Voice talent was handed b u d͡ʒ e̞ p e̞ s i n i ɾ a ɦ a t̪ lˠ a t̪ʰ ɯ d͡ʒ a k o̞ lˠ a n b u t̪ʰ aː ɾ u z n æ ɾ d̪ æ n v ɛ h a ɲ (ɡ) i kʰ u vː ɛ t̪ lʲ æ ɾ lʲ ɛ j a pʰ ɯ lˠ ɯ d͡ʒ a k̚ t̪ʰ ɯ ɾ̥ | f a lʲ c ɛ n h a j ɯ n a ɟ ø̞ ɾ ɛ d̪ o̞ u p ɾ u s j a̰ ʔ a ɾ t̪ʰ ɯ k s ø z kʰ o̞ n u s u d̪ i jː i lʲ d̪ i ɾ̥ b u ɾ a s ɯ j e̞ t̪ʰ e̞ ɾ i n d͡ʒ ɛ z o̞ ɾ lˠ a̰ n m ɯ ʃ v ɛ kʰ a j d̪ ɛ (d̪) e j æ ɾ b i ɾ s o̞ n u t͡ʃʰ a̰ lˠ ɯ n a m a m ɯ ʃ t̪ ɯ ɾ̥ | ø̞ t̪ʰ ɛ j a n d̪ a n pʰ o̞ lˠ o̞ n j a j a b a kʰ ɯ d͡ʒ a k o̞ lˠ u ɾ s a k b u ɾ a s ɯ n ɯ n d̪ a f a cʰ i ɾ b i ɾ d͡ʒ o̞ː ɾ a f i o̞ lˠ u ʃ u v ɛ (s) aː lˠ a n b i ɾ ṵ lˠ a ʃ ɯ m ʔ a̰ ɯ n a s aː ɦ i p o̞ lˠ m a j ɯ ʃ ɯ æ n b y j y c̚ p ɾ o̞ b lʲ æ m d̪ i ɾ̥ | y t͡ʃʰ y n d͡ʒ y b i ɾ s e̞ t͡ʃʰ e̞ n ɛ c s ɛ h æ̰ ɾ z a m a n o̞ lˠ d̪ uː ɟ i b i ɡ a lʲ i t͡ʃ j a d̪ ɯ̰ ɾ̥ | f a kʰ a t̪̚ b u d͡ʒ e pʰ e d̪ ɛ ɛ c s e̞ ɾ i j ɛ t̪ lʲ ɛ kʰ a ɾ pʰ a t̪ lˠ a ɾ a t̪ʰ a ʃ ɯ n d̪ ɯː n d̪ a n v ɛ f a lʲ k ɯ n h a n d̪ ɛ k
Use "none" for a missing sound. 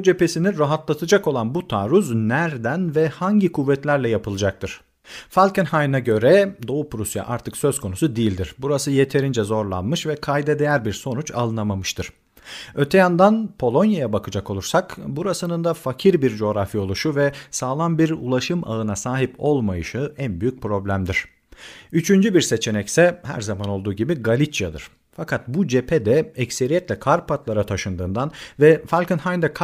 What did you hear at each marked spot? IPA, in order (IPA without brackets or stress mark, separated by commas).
ɟ, d̪, s